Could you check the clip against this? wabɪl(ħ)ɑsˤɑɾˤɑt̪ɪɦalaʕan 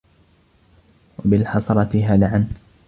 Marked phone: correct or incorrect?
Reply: correct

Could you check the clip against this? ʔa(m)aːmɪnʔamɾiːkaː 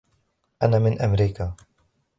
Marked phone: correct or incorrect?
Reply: incorrect: n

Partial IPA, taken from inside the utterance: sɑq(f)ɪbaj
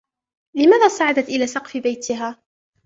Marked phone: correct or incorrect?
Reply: correct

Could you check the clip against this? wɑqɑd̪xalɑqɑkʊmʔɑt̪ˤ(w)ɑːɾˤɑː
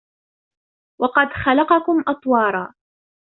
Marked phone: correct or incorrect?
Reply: correct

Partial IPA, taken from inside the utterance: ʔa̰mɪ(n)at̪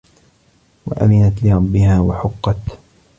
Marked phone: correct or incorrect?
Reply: correct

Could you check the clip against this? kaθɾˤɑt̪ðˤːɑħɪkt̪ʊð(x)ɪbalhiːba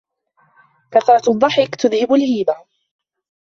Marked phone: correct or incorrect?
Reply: incorrect: h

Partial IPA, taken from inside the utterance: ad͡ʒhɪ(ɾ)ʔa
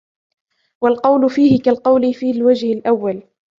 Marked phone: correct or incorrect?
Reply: incorrect: l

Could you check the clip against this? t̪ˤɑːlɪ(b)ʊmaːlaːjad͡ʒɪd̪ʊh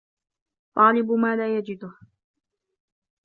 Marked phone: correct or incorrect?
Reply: correct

